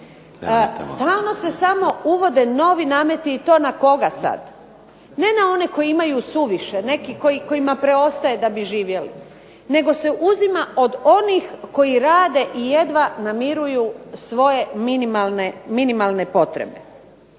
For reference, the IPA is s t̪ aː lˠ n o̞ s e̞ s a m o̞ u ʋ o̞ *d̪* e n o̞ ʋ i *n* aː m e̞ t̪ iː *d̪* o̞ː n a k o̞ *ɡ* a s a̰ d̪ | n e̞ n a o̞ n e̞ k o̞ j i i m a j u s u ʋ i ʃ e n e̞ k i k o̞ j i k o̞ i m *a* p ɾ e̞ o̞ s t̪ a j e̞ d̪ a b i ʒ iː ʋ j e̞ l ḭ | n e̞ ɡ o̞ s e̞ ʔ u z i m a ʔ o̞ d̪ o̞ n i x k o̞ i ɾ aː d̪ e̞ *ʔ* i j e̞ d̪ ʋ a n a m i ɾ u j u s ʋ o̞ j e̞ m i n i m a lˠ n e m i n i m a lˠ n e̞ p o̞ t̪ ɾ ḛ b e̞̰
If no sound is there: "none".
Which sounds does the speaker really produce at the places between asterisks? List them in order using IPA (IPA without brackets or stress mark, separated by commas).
d̪, n, t̪, ɡ, a, ʔ